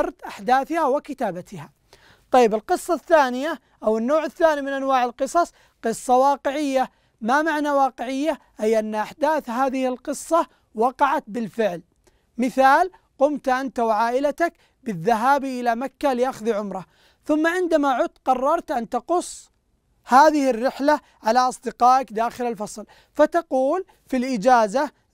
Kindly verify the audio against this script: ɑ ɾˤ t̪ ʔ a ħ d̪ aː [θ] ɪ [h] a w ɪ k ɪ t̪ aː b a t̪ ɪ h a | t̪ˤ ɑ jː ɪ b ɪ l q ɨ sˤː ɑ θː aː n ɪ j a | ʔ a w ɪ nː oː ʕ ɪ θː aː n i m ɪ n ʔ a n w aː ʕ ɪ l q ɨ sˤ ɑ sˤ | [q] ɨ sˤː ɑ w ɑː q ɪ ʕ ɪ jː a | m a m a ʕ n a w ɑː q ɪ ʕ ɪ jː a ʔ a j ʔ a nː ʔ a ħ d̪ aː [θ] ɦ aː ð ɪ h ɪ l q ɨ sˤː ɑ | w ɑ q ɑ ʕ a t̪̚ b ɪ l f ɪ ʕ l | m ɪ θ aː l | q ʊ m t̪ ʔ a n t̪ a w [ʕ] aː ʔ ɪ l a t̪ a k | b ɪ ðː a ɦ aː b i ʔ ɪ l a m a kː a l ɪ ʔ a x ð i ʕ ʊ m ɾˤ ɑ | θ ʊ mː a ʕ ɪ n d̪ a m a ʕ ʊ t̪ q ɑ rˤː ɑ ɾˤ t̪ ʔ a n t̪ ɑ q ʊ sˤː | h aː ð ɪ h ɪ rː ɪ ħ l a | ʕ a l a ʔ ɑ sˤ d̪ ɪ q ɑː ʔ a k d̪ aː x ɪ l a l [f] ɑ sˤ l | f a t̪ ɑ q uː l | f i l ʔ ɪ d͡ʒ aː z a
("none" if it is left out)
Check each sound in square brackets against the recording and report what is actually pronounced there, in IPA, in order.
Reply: θ, h, q, θ, ʕ, f

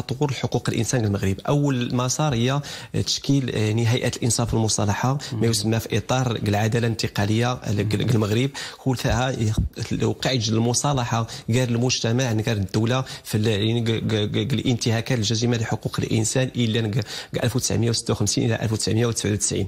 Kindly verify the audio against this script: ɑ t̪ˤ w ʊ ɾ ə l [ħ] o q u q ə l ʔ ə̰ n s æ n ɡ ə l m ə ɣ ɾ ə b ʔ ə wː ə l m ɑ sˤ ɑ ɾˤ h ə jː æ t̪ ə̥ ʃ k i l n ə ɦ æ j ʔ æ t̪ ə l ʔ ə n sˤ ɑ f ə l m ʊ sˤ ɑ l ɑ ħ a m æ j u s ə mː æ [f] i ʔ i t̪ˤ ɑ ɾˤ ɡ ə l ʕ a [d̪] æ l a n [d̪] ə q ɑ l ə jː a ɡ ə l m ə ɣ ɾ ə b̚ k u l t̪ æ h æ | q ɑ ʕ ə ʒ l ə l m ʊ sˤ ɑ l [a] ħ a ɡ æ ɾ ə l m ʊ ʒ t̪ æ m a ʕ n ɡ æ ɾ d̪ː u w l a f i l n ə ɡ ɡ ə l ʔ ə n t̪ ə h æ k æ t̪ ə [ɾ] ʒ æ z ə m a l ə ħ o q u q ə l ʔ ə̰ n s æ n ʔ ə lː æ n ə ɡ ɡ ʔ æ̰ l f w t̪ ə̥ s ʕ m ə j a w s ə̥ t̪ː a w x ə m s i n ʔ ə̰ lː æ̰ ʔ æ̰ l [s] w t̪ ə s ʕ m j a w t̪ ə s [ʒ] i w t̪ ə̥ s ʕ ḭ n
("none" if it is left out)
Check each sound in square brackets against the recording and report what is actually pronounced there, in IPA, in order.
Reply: ħ, f, d̪, t̪, ɑ, l, f, ʕ

